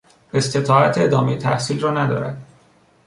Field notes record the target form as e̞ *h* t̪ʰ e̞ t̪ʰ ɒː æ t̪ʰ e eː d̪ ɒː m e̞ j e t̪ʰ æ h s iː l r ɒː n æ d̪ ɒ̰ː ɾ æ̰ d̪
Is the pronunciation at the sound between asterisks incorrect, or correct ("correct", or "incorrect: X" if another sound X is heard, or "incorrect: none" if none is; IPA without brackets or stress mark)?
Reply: incorrect: s